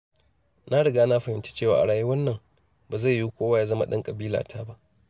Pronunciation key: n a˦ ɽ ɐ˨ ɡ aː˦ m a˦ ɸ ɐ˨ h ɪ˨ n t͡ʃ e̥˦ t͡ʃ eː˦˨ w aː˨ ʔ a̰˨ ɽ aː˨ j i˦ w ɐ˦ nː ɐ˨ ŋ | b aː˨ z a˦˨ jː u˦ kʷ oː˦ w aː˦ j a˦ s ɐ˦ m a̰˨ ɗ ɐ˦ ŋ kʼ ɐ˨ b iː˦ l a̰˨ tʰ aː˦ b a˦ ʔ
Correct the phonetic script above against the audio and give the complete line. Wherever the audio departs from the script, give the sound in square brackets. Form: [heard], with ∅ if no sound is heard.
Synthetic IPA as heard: n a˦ ɽ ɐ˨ ɡ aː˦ [n] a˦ ɸ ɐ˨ h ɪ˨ n t͡ʃ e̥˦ t͡ʃ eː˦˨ w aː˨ ʔ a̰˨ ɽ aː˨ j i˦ w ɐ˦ nː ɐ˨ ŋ | b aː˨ z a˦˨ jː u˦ kʷ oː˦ w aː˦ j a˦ [z] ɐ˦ m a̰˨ ɗ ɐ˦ ŋ kʼ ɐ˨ b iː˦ l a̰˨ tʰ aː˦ b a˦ ʔ